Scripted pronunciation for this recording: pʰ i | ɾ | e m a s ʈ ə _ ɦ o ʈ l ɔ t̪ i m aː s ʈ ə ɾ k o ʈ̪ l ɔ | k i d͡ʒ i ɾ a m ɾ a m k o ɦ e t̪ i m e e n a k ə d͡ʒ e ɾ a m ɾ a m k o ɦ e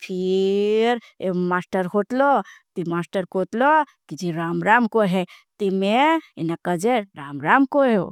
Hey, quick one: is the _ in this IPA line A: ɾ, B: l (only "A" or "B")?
A